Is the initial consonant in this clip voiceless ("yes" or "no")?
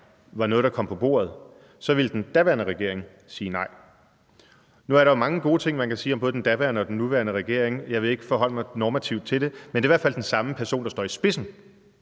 no